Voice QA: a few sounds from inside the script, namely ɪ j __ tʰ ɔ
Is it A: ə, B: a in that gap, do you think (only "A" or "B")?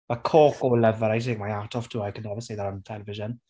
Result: B